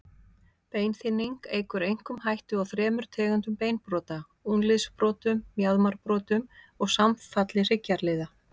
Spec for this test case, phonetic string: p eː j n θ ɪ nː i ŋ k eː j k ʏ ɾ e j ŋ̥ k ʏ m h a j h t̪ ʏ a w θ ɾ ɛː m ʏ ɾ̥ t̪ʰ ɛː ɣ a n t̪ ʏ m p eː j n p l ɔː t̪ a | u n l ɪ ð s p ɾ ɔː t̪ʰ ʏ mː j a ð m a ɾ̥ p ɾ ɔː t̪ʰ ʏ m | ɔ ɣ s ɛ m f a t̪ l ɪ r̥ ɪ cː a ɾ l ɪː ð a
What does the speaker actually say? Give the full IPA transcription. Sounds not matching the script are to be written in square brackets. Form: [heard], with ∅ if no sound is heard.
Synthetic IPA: p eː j n θ ɪ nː i ŋ k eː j k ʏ ɾ e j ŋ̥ k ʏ m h a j h t̪ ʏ a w θ ɾ ɛː m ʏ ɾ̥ t̪ʰ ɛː ɣ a n t̪ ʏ m p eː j n p [ɾ] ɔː t̪ a | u n l ɪ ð s p ɾ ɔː [t̪] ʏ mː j a ð m a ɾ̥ p ɾ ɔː [t̪] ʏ m | ɔ ɣ s [a] m f a t̪ l ɪ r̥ ɪ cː a ɾ l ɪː ð a